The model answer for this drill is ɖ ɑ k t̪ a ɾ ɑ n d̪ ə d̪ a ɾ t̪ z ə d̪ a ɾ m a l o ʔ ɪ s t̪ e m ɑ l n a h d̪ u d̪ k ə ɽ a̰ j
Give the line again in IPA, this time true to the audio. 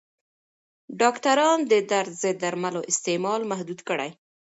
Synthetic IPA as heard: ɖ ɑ k t̪ a ɾ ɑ n d̪ ə d̪ a ɾ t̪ z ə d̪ a ɾ m a l o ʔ ɪ s t̪ e m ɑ l m a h d̪ u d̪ k ə ɽ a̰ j